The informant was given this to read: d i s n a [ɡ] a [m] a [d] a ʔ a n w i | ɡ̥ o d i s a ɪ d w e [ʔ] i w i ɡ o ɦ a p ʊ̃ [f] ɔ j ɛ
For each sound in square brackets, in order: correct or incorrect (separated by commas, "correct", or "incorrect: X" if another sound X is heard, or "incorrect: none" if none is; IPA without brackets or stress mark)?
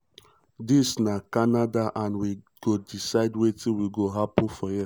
incorrect: k, incorrect: n, correct, incorrect: t, correct